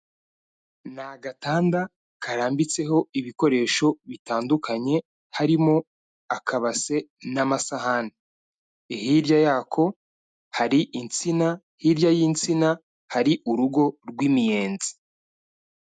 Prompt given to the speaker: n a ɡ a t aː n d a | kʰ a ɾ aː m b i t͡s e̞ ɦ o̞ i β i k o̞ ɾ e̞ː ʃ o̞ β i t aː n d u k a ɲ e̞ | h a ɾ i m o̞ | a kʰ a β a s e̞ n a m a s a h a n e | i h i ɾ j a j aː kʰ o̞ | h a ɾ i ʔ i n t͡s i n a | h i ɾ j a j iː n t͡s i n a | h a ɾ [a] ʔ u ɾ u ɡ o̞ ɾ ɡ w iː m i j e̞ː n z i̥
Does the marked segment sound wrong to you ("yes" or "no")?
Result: yes